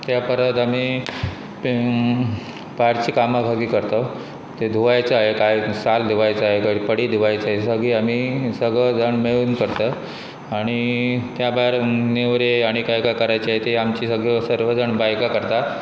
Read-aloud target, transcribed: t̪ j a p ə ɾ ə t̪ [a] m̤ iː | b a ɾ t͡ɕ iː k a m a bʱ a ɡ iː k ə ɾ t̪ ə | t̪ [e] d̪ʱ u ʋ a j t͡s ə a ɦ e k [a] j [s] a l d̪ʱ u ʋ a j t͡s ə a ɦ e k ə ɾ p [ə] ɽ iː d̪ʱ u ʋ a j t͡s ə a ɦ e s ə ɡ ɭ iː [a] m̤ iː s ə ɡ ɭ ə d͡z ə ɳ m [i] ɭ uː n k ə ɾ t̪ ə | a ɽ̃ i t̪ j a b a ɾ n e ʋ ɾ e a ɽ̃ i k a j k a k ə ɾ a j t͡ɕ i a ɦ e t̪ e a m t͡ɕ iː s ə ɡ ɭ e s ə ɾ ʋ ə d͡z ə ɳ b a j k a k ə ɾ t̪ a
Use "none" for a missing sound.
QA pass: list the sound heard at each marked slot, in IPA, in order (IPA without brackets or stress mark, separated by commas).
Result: a, e, a, s, ə, a, e